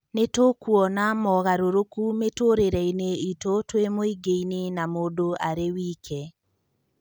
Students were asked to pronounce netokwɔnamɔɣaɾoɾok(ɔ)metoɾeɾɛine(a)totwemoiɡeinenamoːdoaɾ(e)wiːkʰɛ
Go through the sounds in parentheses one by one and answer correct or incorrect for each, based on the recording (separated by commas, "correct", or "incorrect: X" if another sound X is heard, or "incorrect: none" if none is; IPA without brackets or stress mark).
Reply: incorrect: u, incorrect: i, correct